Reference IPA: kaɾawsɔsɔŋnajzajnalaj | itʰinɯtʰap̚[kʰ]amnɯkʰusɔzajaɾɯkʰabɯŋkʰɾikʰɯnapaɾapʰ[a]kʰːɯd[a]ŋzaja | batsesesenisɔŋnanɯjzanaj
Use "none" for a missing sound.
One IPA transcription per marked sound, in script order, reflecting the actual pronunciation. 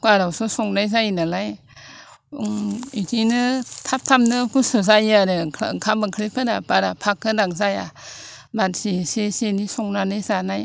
tʰ, a, a

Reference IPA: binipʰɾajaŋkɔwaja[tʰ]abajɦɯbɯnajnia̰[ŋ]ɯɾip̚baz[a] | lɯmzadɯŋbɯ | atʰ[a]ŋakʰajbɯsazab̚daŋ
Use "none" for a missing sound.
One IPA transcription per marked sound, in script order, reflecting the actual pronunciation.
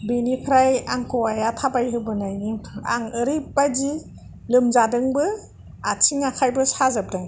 tʰ, ŋ, i, i

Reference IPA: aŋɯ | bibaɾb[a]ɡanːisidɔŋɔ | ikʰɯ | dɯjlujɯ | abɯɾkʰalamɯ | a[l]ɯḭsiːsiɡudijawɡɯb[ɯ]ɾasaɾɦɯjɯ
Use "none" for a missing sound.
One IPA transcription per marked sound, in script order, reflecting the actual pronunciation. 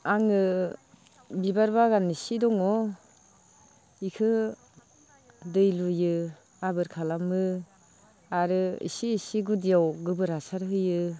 a, ɾ, ɯ

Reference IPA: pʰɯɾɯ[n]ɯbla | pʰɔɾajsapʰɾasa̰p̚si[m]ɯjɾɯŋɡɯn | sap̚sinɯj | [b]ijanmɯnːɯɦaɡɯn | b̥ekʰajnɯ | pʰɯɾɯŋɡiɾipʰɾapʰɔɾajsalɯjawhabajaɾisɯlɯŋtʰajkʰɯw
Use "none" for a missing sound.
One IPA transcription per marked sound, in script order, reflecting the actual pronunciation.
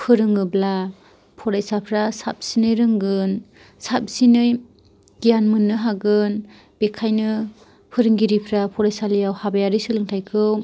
ŋ, n, ɡ

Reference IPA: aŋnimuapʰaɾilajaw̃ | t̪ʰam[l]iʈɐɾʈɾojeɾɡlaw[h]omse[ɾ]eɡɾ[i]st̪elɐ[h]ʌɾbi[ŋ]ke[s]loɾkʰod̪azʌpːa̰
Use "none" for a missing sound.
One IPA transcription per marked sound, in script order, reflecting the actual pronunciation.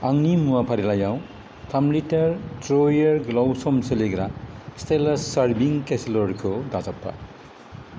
l, s, l, a, s, ŋ, s

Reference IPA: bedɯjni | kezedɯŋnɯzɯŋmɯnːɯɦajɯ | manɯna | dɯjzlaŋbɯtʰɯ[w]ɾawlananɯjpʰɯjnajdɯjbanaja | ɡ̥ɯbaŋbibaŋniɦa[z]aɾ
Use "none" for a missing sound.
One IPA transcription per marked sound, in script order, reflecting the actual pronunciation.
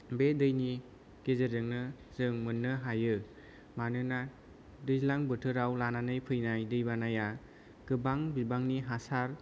none, s

